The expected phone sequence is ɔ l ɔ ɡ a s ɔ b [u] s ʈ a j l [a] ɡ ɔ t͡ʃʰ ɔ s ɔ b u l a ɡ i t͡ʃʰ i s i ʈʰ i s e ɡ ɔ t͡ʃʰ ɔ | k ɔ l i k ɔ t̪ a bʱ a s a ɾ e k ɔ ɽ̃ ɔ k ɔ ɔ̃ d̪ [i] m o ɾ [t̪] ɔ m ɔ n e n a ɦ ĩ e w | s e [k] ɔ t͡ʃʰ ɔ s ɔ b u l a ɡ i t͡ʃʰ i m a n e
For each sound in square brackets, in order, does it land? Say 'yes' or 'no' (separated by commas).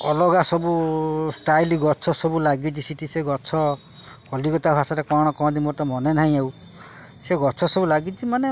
yes, no, yes, yes, no